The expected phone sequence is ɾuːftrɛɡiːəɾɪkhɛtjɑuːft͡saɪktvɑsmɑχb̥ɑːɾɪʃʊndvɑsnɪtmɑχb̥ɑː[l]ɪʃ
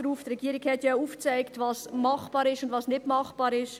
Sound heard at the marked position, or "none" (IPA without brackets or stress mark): ɾ